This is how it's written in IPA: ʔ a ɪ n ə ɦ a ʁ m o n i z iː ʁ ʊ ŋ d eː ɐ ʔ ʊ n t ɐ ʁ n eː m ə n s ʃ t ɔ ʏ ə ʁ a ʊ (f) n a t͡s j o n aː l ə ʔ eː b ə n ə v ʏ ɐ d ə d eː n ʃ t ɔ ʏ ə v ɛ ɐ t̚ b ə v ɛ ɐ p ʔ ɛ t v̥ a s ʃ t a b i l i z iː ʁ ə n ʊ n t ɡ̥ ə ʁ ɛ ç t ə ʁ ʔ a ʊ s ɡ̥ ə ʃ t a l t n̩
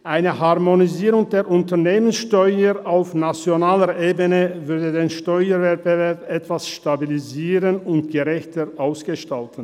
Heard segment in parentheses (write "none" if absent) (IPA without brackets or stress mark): f